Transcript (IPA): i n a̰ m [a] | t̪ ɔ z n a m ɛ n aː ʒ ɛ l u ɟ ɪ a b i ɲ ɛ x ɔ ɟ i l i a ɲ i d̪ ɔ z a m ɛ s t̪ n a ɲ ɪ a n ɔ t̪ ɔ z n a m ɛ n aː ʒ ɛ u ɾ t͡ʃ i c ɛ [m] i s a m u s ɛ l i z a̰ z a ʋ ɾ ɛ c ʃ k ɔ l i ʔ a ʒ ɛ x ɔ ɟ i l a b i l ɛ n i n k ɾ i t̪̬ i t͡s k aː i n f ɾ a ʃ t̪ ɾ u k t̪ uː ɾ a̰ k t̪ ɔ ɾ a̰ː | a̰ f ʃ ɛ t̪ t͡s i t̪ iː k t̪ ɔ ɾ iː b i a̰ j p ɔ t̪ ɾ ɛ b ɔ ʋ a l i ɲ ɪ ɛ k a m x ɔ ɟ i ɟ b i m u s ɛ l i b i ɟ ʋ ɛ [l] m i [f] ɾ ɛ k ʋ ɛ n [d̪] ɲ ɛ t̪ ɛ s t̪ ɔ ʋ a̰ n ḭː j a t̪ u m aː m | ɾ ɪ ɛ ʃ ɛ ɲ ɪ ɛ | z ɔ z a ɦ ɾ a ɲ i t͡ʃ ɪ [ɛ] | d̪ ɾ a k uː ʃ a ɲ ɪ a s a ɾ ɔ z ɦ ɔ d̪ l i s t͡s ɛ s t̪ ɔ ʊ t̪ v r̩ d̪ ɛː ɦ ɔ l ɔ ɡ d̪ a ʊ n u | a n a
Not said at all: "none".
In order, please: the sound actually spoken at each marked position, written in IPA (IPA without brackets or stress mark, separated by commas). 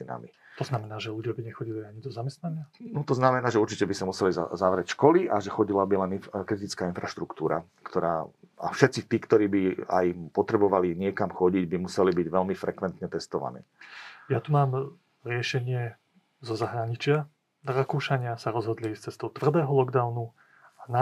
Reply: i, b, l, f, t̪, a